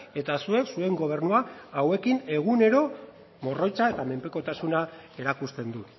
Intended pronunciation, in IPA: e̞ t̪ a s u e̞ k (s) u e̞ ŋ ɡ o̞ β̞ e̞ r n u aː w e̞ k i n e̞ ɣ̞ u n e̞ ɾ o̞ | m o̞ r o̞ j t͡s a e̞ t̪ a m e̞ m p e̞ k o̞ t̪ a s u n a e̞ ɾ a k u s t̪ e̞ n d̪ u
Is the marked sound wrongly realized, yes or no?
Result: no